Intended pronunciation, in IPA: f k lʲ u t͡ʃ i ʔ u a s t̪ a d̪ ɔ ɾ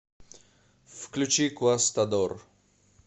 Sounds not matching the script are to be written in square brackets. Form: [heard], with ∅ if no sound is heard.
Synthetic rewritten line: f k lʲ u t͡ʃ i [k] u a s t̪ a d̪ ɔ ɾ